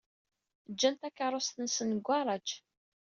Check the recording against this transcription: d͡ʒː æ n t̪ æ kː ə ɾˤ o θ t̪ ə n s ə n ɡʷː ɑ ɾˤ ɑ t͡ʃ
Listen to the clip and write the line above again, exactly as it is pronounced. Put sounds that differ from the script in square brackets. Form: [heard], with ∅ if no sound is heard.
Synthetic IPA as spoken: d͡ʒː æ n t̪ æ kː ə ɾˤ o [s] t̪ ə n s ə n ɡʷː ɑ ɾˤ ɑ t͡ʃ